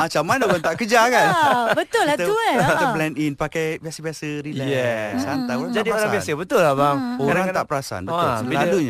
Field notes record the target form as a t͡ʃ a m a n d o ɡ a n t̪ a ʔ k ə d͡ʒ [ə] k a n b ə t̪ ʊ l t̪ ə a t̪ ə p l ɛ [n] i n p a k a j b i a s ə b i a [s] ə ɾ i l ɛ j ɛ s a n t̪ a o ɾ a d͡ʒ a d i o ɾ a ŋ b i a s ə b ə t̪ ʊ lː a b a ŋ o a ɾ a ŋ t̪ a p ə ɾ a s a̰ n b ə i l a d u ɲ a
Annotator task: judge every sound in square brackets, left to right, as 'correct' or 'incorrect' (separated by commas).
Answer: incorrect, correct, correct